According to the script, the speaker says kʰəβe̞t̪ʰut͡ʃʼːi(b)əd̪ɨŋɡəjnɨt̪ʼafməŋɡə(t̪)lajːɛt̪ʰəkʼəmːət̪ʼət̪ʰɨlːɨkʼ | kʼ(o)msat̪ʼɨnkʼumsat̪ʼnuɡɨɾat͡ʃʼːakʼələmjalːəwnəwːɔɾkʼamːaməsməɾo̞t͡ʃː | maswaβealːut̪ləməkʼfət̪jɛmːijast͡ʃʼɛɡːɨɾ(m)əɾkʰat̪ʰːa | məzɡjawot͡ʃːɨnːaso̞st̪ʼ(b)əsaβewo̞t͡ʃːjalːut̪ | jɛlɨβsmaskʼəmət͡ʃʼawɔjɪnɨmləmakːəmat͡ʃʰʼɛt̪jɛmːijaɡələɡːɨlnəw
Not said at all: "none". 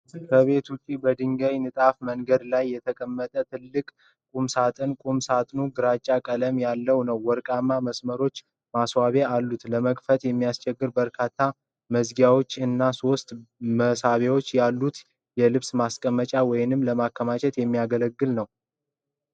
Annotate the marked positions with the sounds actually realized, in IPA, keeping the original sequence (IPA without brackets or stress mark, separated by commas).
b, d̪, u, b, m